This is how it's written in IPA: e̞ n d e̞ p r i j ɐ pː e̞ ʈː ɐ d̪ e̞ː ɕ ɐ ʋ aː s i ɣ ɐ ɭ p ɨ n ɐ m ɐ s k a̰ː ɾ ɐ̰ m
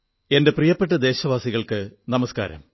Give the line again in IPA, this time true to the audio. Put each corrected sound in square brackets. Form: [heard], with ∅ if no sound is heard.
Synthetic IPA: e̞ n d e̞ p r i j ɐ pː e̞ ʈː ɐ d̪ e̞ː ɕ ɐ ʋ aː s i ɣ ɐ ɭ [k] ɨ n ɐ m ɐ s k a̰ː ɾ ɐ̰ m